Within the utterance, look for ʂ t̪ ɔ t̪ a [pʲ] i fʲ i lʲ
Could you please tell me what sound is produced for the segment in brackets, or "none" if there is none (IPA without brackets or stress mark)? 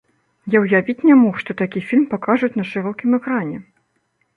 kʲ